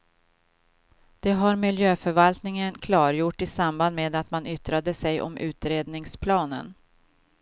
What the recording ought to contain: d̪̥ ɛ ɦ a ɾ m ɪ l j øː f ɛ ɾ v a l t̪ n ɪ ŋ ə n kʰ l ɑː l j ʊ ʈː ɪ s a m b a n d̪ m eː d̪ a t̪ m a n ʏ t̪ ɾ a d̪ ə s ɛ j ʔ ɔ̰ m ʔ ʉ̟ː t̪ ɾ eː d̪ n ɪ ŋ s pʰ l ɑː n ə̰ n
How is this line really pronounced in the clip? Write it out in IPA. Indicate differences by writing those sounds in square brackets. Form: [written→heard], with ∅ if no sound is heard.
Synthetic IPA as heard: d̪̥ ɛ ɦ a ɾ m ɪ l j øː f [ɛ→œ] ɾ v a l t̪ n ɪ ŋ ə n kʰ l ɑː [l→ɾ] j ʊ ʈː ɪ s a m b a n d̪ m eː d̪ a t̪ m a n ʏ t̪ ɾ a d̪ ə s ɛ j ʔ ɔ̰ m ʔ ʉ̟ː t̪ ɾ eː d̪ n ɪ ŋ s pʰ l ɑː n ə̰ n